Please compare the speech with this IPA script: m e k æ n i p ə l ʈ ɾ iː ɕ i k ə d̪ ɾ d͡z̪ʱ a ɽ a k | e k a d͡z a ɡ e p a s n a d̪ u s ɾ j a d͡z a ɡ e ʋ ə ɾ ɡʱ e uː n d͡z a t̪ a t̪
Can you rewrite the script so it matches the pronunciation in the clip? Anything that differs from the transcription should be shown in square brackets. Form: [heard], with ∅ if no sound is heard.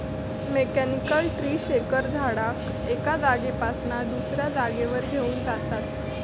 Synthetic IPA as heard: m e k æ n i [k] ə l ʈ ɾ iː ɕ [e] k ə [∅] ɾ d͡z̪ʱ a ɽ a k | e k a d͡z a ɡ e p a s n a d̪ u s ɾ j a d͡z a ɡ e ʋ ə ɾ ɡʱ e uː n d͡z a t̪ a t̪